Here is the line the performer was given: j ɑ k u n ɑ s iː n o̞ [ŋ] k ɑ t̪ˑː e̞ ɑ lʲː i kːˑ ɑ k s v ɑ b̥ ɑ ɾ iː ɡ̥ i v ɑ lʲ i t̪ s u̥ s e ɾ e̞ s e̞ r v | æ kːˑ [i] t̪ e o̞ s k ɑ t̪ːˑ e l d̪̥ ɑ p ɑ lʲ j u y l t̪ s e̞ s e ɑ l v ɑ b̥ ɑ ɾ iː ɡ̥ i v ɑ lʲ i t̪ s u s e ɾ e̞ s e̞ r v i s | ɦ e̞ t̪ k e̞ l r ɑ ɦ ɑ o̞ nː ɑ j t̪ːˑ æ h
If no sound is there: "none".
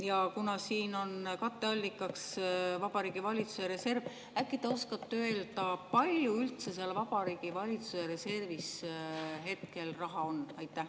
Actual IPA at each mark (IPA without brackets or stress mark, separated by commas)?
n, i